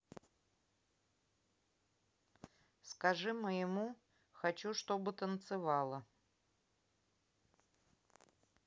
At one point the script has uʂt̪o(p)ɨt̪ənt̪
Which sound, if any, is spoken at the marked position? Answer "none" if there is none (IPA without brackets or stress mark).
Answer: b